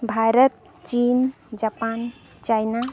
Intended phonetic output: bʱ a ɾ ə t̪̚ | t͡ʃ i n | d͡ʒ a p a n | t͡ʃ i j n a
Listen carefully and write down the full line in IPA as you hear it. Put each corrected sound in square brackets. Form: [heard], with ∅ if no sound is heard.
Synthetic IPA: bʱ a ɾ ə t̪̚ | t͡ʃ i n | d͡ʒ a p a n | t͡ʃ [a] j n a